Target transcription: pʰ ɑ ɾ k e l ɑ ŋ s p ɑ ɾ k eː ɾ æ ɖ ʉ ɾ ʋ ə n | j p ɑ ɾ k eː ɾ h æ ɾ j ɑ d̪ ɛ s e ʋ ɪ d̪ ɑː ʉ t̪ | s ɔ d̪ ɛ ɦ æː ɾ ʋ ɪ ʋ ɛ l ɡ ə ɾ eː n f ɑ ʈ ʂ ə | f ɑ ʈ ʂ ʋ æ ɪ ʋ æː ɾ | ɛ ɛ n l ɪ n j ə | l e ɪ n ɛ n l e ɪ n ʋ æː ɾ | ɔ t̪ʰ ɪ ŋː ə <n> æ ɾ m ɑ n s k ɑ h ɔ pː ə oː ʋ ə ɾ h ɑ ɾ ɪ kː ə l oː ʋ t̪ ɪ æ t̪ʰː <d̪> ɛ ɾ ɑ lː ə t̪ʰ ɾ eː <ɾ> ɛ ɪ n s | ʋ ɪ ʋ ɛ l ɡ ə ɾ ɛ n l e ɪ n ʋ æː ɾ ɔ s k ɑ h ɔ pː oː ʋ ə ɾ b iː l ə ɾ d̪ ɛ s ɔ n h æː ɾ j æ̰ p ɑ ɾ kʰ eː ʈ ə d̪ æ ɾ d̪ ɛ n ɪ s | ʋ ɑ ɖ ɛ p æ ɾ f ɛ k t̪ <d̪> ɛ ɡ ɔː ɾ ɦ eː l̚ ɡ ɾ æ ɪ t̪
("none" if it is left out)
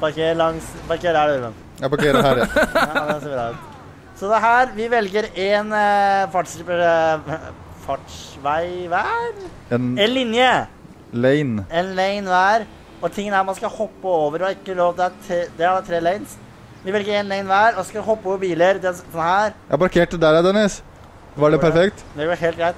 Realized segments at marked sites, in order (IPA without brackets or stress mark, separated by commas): n, d̪, l, d̪